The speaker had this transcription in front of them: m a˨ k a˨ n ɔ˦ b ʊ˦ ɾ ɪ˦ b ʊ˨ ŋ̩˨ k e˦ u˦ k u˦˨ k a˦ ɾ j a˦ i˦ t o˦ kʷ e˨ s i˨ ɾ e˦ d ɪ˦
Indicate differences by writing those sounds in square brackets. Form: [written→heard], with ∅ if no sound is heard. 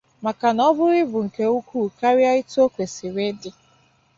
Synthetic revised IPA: m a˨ k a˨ n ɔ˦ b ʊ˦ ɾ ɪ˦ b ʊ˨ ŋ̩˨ k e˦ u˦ k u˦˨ k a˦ ɾ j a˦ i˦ t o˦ kʷ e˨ s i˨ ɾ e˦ d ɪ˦